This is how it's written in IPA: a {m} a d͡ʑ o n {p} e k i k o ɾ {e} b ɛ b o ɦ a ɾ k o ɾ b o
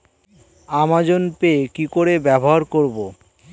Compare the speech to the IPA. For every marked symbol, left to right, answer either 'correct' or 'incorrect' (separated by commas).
correct, correct, correct